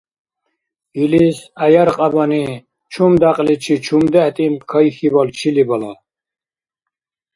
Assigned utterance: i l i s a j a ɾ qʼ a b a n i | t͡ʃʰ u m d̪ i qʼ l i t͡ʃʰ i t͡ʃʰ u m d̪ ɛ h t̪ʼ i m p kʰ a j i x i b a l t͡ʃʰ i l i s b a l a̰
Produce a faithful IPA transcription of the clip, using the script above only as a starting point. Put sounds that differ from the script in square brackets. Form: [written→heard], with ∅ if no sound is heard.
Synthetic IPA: i l i s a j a ɾ qʼ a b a n i | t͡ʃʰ u m d̪ [i→a] qʼ l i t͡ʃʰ i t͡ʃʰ u m d̪ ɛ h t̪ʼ i m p kʰ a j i x i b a l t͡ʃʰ i l i [s→∅] b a l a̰